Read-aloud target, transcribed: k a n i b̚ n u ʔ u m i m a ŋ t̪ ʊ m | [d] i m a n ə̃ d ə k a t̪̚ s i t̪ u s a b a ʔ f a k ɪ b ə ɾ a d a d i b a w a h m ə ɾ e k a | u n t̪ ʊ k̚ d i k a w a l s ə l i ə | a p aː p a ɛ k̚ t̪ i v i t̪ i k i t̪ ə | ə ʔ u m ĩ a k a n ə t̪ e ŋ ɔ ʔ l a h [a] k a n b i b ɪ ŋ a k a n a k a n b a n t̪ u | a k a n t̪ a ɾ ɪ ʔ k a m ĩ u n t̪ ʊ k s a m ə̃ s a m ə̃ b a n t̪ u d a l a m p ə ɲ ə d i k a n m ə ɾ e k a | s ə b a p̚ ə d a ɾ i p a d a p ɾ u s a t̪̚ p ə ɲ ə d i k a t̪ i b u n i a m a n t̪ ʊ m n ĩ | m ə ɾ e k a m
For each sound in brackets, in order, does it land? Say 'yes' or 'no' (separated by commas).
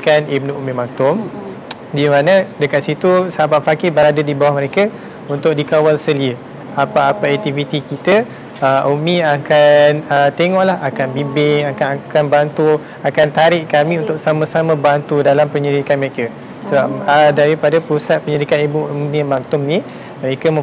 yes, yes